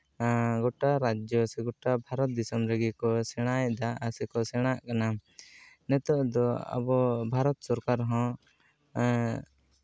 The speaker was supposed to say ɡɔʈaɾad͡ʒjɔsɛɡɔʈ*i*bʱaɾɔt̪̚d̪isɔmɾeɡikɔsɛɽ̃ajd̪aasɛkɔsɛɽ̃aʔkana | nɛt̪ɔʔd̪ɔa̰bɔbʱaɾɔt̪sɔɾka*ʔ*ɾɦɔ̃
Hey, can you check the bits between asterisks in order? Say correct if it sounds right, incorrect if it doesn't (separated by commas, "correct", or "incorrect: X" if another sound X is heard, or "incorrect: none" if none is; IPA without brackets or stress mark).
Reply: incorrect: a, incorrect: none